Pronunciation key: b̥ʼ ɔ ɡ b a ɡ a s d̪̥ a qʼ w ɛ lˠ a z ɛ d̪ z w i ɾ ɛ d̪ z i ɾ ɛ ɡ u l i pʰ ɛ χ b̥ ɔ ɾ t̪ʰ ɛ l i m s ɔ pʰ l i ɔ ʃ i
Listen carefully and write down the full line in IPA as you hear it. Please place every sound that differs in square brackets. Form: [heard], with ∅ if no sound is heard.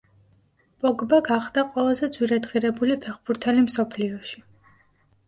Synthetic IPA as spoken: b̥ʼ ɔ ɡ b a ɡ a [χ] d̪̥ a qʼ w ɛ lˠ a z ɛ d̪ z w i ɾ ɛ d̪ [ʁ] i ɾ ɛ [b] u l i pʰ ɛ χ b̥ [u] ɾ t̪ʰ ɛ l i m s ɔ pʰ l i ɔ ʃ i